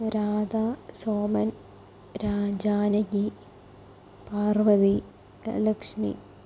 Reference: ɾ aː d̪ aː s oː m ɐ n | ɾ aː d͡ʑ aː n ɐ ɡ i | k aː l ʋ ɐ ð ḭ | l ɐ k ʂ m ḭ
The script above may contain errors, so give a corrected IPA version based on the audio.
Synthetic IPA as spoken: ɾ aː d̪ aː s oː m ɐ n | ɾ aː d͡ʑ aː n ɐ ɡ i | p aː r ʋ ɐ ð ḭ | l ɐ k ʂ m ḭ